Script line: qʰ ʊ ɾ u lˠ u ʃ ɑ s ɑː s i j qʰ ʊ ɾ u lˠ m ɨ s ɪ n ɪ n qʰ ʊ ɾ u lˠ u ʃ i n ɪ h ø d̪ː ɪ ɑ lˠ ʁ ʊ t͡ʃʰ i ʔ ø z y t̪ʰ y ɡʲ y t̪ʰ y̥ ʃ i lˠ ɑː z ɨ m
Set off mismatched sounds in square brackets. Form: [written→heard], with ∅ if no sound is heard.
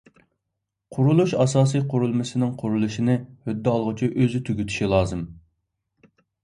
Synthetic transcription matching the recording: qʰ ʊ ɾ u lˠ u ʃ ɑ s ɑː s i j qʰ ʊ ɾ u lˠ m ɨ s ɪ n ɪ [n→ŋ] qʰ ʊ ɾ u lˠ u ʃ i n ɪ h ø d̪ː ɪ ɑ lˠ ʁ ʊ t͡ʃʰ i ʔ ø z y t̪ʰ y ɡʲ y t̪ʰ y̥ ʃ i lˠ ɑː z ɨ m

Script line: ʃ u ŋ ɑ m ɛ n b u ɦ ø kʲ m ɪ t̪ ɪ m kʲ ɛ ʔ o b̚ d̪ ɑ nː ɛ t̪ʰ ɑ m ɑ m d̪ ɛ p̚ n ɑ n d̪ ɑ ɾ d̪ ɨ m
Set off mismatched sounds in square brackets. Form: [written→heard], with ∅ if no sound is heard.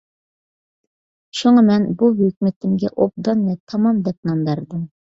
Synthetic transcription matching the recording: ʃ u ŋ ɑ m ɛ n b u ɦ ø kʲ m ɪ t̪ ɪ m [kʲ→ɡʲ] ɛ ʔ o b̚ d̪ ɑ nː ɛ t̪ʰ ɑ m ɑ m d̪ ɛ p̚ n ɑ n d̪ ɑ ɾ d̪ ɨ m

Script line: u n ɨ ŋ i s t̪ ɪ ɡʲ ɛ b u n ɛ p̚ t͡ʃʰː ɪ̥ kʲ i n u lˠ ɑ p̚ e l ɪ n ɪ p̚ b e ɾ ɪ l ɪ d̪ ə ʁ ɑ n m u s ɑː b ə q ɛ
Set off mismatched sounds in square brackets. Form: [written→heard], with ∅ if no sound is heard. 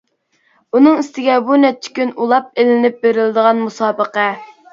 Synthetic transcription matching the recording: u n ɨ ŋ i s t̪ ɪ ɡʲ ɛ b u n ɛ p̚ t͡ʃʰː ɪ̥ kʲ [i→y] n u lˠ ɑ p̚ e l ɪ n ɪ p̚ b e ɾ ɪ l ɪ d̪ ə ʁ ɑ n m u s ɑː b ə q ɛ

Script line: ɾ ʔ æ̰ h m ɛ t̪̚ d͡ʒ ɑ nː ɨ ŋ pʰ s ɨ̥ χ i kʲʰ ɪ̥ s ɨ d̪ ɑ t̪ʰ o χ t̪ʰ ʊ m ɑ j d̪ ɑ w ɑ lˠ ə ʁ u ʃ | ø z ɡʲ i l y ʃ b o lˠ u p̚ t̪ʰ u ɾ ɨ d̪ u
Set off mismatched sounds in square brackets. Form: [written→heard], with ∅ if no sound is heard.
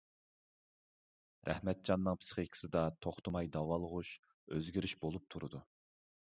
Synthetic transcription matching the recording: ɾ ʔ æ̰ h m ɛ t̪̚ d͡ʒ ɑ nː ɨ ŋ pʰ s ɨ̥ χ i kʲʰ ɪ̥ s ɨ d̪ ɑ t̪ʰ o χ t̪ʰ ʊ m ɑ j d̪ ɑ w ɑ lˠ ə ʁ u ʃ | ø z ɡʲ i [l→ɾ] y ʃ b o lˠ u p̚ t̪ʰ u ɾ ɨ d̪ u

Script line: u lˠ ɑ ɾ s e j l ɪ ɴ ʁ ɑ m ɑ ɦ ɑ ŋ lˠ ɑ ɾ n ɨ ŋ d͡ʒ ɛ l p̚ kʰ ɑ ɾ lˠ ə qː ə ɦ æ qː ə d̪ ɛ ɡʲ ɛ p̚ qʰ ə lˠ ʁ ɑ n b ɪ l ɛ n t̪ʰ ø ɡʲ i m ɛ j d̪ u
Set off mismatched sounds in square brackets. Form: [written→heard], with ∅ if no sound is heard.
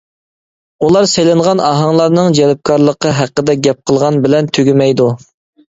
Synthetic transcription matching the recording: u lˠ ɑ ɾ s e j l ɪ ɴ ʁ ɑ [m→n] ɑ ɦ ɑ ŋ lˠ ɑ ɾ n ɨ ŋ d͡ʒ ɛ l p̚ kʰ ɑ ɾ lˠ ə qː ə ɦ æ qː ə d̪ ɛ ɡʲ ɛ p̚ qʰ ə lˠ ʁ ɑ n b ɪ l ɛ n t̪ʰ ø ɡʲ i m ɛ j d̪ u

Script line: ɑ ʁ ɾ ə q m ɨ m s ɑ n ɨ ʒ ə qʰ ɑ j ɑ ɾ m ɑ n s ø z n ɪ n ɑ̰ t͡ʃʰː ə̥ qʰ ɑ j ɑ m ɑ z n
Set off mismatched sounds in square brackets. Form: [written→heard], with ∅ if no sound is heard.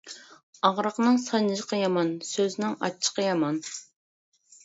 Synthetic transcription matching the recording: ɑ ʁ ɾ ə q [m→n] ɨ [m→ŋ] s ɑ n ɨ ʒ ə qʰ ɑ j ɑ [ɾ→∅] m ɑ n s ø z n ɪ [n→ŋ] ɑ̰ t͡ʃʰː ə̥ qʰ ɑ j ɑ m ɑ [z→∅] n

